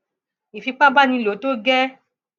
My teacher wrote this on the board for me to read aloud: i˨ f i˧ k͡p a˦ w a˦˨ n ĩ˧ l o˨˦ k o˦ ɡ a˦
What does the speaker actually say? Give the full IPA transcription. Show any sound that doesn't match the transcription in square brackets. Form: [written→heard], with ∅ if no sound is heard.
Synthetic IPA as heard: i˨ f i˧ k͡p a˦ [w→b] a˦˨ n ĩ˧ l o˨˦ [k→t] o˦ ɡ [a˦→ɛ˦]